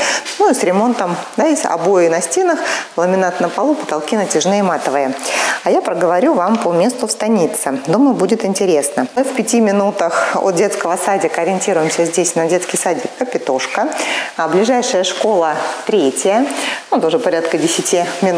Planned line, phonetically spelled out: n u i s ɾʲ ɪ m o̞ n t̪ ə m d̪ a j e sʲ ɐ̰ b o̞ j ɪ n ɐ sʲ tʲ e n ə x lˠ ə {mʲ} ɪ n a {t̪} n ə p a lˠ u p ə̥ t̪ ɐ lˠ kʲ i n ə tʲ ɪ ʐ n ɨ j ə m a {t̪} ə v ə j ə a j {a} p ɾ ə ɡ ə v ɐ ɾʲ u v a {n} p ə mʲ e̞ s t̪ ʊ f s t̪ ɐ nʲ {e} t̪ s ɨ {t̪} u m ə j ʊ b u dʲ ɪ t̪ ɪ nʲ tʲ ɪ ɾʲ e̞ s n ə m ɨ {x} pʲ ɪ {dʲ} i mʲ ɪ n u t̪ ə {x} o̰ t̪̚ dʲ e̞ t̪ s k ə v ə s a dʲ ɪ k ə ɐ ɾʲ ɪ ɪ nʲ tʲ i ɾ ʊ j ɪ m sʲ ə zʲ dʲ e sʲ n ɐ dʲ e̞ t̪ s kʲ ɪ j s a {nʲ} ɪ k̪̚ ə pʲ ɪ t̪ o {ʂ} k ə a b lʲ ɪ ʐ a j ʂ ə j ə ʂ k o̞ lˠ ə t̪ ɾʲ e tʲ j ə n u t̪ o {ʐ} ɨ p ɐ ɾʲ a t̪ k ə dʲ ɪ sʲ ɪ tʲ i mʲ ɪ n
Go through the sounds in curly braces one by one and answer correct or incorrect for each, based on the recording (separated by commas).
correct, correct, correct, correct, incorrect, incorrect, incorrect, incorrect, incorrect, correct, incorrect, correct, correct